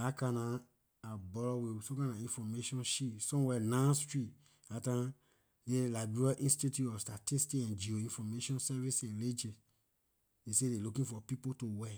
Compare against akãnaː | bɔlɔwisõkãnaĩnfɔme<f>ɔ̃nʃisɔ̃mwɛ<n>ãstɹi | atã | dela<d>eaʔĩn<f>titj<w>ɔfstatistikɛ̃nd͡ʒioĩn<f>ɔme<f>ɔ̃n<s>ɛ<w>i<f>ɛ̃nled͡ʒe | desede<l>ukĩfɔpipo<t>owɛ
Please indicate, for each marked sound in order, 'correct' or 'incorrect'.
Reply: incorrect, correct, incorrect, incorrect, incorrect, correct, incorrect, correct, incorrect, incorrect, correct, correct

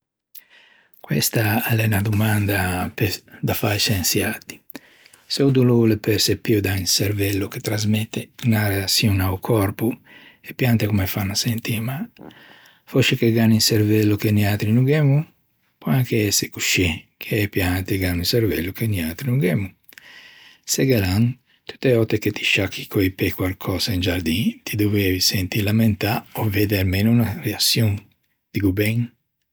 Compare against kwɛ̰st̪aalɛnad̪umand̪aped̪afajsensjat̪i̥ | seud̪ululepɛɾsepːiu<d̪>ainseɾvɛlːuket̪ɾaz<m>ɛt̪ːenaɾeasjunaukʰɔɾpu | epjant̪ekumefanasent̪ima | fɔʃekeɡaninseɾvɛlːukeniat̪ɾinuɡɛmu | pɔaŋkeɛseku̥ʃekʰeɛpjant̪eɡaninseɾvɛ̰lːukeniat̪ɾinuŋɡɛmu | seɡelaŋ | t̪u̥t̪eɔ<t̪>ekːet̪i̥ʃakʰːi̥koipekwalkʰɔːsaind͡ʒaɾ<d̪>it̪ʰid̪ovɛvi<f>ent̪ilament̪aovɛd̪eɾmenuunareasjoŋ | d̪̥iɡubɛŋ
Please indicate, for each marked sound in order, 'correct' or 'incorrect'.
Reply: correct, correct, correct, correct, incorrect

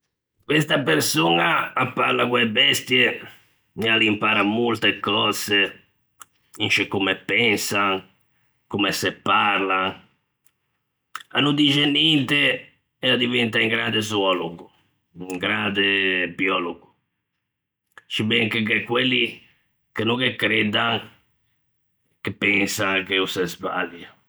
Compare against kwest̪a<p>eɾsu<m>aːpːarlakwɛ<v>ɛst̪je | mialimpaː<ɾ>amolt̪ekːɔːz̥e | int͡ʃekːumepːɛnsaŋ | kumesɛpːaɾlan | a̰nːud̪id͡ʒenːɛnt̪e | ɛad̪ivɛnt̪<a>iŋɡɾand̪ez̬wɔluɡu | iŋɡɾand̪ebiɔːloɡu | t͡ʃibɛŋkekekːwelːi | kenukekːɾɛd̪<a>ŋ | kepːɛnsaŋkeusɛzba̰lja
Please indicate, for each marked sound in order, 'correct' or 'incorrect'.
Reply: correct, incorrect, incorrect, correct, correct, correct

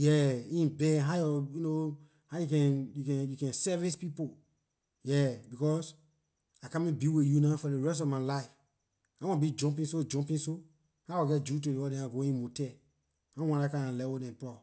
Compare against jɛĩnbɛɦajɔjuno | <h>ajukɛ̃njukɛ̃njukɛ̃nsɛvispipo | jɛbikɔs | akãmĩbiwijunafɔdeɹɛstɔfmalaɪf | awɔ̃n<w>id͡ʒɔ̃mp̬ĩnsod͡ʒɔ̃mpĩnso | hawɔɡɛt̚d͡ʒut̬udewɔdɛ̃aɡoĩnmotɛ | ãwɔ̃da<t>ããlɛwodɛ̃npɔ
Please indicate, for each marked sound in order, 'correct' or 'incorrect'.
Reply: correct, incorrect, incorrect

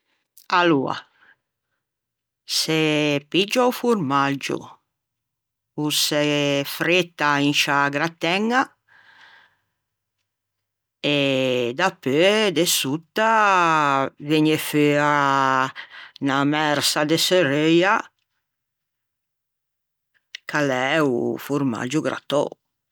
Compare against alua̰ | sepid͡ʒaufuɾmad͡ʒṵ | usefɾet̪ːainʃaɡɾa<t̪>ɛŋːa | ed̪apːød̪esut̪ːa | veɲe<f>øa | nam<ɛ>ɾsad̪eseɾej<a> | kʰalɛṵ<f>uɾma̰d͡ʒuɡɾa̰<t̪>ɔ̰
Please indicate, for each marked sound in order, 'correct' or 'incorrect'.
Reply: correct, correct, correct, correct, correct, correct

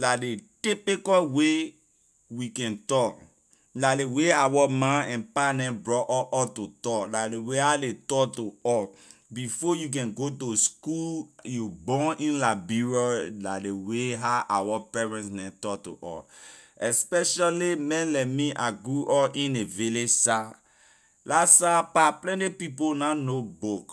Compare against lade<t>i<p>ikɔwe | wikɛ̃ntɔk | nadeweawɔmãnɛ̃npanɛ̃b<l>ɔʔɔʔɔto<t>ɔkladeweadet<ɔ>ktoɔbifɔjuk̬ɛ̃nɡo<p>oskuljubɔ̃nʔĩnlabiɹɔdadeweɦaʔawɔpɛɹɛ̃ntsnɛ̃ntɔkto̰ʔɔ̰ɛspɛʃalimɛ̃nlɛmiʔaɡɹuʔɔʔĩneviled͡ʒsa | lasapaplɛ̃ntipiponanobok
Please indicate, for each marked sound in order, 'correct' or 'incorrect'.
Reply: correct, correct, incorrect, correct, correct, incorrect

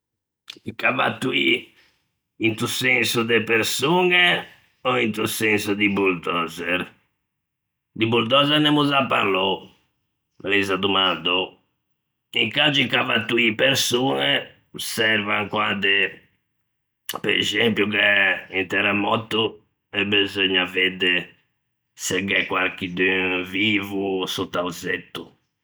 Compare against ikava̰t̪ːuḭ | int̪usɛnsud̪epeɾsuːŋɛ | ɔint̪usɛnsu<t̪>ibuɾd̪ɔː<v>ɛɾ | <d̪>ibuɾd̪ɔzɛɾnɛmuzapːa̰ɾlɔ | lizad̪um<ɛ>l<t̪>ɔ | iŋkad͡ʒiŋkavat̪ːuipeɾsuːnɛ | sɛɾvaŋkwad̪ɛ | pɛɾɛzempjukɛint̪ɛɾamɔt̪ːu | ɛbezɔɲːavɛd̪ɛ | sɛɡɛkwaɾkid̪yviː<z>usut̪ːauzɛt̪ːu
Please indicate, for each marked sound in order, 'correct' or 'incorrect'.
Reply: incorrect, incorrect, correct, incorrect, incorrect, incorrect

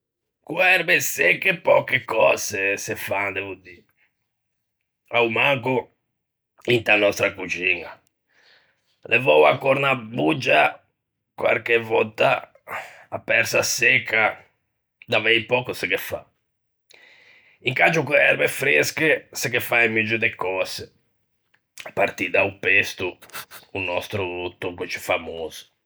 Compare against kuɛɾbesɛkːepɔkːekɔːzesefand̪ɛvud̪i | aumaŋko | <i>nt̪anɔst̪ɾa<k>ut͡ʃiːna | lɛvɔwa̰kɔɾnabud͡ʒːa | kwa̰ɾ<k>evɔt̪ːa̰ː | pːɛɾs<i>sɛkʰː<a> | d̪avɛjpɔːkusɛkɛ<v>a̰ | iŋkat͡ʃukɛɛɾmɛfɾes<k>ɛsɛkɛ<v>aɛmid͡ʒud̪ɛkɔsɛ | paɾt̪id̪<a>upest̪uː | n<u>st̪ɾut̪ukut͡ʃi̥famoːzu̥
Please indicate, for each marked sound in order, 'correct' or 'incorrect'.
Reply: correct, correct, correct, incorrect, correct, incorrect, correct, incorrect, correct, incorrect

